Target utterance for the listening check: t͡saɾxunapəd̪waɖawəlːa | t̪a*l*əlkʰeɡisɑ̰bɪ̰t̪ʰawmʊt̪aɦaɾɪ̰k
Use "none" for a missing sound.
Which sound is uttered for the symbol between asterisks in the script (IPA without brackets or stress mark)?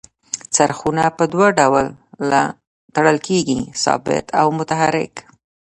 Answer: ɽ